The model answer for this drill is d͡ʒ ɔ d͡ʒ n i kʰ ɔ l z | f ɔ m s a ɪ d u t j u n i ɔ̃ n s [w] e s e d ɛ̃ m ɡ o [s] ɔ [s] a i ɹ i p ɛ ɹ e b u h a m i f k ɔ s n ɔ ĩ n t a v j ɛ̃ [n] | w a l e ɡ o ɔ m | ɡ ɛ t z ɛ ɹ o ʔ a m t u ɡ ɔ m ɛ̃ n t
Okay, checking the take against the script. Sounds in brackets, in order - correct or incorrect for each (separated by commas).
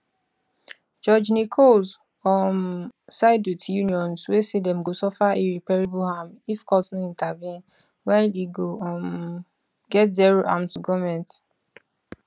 correct, correct, incorrect, correct